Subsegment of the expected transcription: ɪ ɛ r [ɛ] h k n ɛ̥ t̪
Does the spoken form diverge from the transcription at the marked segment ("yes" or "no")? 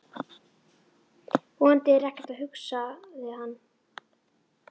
no